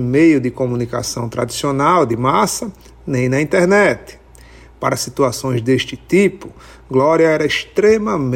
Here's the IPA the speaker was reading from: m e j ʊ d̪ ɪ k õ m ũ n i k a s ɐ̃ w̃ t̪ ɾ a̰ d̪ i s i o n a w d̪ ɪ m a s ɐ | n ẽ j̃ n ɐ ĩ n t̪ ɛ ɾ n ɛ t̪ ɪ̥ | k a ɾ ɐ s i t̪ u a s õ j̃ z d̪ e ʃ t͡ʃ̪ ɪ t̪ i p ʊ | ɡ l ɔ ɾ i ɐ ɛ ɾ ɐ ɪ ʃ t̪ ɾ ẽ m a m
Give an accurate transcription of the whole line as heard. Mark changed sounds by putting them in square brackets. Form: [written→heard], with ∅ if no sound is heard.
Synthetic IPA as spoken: m e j ʊ d̪ ɪ k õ m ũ n i k a s ɐ̃ w̃ t̪ ɾ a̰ d̪ i s i o n a w d̪ ɪ m a s ɐ | n ẽ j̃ n ɐ ĩ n t̪ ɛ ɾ n ɛ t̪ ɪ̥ | [k→p] a ɾ ɐ s i t̪ u a s õ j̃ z d̪ e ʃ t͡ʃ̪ ɪ t̪ i p ʊ | ɡ l ɔ ɾ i ɐ ɛ ɾ ɐ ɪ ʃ t̪ ɾ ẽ m [a→ɐ] m